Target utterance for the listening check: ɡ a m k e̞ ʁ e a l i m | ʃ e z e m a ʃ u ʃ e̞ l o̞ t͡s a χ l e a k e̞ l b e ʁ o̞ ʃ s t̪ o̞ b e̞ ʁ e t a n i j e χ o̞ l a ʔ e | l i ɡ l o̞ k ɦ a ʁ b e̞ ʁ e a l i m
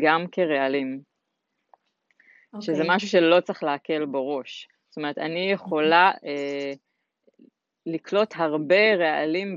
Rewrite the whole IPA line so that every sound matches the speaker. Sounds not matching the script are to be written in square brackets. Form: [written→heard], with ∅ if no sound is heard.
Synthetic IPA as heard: ɡ a m k e̞ ʁ e a l i m | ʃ e z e m a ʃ u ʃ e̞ l o̞ t͡s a χ l e a k e̞ l b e ʁ o̞ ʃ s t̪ o̞ [b→m] e̞ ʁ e t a n i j e χ o̞ l a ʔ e | l i [ɡ→k] l o̞ [k→t] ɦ a ʁ b e̞ ʁ e a l i m